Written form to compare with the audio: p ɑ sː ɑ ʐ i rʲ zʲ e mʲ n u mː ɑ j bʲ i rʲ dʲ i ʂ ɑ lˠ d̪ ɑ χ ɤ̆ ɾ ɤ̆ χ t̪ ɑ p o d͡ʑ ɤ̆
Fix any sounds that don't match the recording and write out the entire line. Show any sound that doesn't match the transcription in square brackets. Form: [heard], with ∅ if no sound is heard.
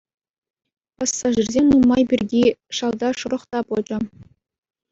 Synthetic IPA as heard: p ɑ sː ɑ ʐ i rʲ zʲ e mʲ n u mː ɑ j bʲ i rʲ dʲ i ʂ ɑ lˠ d̪ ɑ [ʂ] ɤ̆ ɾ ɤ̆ χ t̪ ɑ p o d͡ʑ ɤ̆